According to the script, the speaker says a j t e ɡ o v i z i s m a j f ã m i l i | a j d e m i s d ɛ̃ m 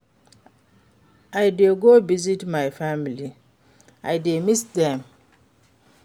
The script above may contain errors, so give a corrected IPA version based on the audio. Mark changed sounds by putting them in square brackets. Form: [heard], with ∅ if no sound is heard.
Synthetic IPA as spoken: a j [d] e ɡ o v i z i [t] m a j f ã m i l i | a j d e m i s d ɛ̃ m